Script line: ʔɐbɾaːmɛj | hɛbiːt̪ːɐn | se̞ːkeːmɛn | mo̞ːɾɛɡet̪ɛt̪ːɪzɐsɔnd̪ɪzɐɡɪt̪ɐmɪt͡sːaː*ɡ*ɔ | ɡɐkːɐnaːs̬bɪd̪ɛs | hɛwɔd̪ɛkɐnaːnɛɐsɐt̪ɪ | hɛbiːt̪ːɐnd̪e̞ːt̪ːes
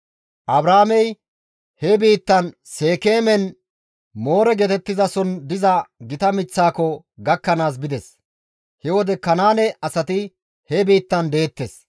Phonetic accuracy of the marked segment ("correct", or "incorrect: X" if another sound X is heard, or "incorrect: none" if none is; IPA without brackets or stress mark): incorrect: k